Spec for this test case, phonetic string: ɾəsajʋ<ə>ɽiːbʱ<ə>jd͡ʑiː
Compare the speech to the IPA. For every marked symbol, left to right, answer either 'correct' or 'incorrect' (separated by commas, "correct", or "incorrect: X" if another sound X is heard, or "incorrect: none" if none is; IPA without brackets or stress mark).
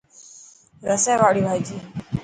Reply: incorrect: a, incorrect: a